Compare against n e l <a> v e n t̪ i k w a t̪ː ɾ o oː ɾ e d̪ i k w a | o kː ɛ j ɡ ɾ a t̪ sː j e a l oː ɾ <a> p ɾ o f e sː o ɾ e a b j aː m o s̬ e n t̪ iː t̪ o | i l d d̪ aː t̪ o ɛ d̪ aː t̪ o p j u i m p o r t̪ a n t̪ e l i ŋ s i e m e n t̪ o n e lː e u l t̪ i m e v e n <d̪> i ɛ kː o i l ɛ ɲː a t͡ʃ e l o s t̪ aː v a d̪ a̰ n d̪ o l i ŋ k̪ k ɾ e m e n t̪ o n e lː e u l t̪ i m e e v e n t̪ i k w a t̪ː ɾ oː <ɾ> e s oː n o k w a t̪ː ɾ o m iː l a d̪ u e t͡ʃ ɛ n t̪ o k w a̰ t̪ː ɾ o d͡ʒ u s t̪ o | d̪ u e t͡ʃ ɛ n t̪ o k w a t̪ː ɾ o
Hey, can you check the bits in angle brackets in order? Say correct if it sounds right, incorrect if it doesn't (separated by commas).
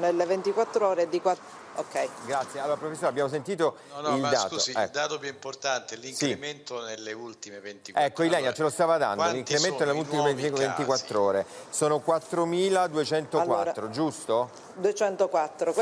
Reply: incorrect, correct, incorrect, correct